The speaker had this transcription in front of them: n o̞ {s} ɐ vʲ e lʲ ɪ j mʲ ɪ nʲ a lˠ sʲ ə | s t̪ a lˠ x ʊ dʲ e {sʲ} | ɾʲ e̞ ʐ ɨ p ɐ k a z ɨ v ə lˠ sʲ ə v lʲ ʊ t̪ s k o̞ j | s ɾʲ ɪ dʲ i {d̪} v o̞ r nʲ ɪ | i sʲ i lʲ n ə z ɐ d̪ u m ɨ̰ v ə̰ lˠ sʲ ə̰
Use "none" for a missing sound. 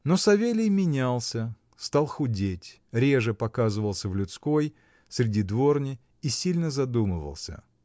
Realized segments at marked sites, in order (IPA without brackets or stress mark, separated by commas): s, tʲ, d̪